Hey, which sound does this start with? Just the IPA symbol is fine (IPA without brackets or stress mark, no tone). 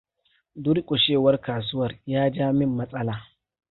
d